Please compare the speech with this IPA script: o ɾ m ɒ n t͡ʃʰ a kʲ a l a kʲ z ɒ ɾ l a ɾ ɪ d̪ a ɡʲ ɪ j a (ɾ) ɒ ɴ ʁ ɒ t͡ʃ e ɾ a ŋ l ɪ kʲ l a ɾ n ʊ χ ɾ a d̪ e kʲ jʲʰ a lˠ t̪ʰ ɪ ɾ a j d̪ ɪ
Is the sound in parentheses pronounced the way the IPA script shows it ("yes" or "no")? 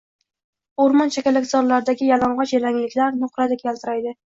no